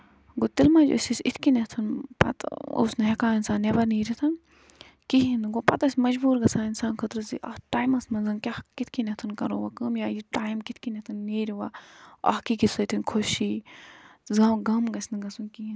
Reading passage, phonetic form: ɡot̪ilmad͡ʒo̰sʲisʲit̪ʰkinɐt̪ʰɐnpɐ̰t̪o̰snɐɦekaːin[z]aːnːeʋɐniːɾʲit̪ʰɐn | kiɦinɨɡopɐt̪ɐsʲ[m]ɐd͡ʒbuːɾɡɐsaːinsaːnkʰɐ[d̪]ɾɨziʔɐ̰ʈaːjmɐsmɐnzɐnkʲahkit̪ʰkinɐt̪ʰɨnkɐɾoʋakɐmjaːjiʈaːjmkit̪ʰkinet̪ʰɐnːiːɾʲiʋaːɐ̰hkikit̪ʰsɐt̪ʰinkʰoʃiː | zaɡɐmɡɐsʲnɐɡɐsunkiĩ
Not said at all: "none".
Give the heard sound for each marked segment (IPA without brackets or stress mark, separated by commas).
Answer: s, m, t̪